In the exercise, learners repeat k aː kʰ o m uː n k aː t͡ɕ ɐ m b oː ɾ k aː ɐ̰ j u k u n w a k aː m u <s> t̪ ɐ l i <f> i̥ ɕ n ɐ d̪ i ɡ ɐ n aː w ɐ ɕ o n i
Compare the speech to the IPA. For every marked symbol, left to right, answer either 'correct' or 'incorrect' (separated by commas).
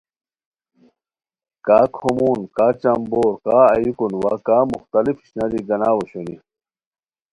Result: incorrect, correct